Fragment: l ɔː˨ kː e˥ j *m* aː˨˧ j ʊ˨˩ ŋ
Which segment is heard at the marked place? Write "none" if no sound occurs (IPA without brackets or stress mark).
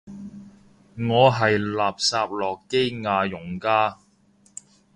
ŋ